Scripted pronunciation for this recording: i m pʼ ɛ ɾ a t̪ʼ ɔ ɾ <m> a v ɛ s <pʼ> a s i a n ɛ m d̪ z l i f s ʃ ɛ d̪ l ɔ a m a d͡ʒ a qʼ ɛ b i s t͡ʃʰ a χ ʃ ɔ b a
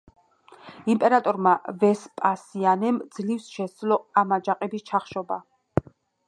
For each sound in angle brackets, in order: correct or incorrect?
correct, correct

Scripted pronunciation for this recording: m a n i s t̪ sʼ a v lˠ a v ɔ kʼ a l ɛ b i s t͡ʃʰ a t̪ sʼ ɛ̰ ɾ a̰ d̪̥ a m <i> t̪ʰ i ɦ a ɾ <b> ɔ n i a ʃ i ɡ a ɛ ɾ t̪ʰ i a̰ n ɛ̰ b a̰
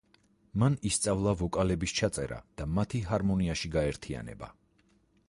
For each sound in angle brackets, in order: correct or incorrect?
incorrect, incorrect

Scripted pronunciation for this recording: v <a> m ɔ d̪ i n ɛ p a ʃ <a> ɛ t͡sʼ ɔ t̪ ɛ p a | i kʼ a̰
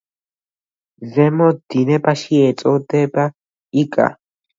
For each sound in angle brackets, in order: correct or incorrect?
incorrect, incorrect

